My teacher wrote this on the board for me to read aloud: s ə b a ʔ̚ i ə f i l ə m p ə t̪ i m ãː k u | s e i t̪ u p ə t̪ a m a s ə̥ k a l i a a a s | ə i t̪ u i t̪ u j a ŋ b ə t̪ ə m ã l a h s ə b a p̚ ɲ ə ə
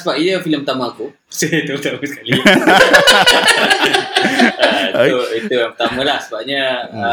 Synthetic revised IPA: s ə b a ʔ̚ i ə f i l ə m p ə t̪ a m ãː k u | s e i t̪ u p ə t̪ a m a s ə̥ k a l i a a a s | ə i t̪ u i t̪ u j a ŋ p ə t̪ a m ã l a h s ə b a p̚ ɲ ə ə